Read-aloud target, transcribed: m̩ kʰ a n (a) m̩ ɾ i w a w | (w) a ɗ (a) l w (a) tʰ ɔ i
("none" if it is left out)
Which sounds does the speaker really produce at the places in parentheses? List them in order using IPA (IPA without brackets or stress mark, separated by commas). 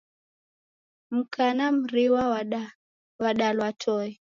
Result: a, w, a, a